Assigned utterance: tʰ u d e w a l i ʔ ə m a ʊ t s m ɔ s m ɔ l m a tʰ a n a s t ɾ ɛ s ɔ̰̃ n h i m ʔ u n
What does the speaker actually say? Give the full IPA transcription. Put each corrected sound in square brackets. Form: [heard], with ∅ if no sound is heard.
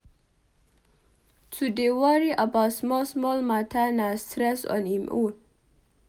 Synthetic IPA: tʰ u d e w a [ɹ] i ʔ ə [b] a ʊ t s m ɔ s m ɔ l m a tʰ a n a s t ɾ ɛ s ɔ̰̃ n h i m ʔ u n